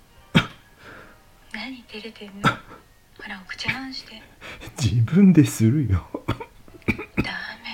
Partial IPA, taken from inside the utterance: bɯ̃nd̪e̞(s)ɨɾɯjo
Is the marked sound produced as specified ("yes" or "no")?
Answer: yes